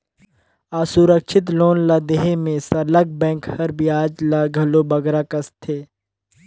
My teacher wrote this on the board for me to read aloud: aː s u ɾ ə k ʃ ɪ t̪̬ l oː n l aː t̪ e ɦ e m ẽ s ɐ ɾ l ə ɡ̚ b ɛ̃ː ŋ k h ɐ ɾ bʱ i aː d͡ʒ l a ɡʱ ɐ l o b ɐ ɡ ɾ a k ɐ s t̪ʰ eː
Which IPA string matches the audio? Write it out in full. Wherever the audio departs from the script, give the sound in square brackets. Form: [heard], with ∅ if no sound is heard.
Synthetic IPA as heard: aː s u ɾ ə k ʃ ɪ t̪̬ l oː n l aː [d̪] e ɦ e m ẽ s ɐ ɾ l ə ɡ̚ b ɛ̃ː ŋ k h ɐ ɾ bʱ i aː d͡ʒ l a ɡʱ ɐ l o b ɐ ɡ ɾ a k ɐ s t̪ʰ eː